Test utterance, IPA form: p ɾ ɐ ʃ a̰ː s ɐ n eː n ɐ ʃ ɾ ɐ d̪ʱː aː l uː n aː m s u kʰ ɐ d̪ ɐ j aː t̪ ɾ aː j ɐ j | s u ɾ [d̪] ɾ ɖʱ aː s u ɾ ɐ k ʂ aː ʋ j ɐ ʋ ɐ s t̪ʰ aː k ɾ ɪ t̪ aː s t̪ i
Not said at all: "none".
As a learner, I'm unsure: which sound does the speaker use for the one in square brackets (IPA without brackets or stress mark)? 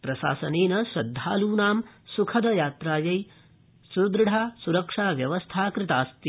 d̪